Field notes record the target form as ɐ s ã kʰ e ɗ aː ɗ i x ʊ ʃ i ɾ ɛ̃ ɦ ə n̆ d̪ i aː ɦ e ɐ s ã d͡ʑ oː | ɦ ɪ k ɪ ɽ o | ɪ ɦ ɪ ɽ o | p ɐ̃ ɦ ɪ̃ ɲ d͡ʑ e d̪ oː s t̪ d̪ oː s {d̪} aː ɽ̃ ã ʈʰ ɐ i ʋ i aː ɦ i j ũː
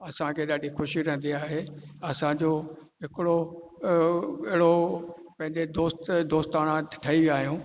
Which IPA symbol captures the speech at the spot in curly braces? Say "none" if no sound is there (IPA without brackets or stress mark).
t̪